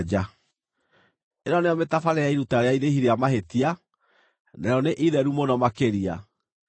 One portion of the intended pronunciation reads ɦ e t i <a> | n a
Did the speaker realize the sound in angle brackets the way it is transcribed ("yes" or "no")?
yes